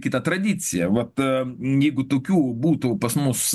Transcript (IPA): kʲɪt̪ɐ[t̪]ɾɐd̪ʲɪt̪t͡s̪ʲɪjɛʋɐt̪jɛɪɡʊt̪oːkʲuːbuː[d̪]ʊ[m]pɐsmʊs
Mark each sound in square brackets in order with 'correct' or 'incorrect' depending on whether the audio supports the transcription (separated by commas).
correct, incorrect, incorrect